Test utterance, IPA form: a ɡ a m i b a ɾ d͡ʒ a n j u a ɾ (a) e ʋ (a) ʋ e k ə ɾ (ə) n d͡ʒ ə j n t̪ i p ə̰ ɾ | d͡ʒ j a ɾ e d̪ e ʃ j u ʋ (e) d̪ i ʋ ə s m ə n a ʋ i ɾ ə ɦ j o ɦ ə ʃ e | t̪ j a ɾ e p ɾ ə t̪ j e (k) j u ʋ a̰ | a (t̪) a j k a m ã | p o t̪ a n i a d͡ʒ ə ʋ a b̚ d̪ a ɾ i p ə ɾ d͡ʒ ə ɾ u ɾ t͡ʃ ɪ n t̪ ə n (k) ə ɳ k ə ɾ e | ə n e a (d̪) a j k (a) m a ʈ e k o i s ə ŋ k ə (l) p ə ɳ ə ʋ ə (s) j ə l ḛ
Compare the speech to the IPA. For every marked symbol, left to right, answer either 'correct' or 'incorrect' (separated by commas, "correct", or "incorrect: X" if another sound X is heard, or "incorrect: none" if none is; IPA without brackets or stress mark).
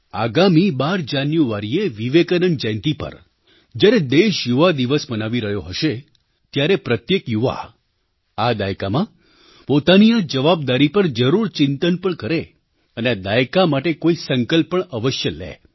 incorrect: i, incorrect: i, correct, incorrect: a, correct, incorrect: d̪, incorrect: p, correct, correct, correct, incorrect: ʃ